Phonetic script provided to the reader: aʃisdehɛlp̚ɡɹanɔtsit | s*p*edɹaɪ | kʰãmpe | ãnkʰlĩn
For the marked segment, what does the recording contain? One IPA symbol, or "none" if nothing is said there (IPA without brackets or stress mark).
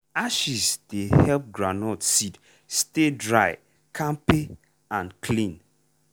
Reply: t